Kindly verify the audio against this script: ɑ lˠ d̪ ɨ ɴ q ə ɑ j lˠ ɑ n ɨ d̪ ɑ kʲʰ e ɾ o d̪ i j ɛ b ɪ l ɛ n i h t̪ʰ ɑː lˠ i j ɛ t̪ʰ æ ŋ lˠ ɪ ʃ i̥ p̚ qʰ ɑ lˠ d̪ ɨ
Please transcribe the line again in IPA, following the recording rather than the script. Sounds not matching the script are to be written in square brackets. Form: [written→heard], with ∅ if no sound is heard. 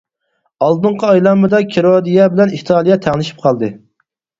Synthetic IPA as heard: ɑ lˠ d̪ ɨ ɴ q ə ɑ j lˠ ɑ [n→m] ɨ d̪ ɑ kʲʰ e ɾ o d̪ i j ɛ b ɪ l ɛ n i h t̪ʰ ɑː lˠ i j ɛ t̪ʰ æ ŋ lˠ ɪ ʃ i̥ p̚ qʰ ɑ lˠ d̪ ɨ